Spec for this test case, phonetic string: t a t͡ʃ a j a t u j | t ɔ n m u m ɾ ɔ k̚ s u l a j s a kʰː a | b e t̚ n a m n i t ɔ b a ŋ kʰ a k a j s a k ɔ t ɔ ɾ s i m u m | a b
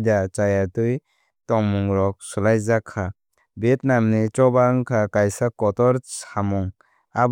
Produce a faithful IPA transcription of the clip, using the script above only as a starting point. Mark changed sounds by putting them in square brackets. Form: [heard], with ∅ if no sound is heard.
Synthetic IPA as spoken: [d] a t͡ʃ a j a t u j | t ɔ [ŋ] m u [ŋ] ɾ ɔ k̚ s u l a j [z] a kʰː a | b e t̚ n a m n i [t͡ʃ] ɔ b a ŋ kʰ a k a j s a k ɔ t ɔ ɾ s [a] m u [ŋ] | a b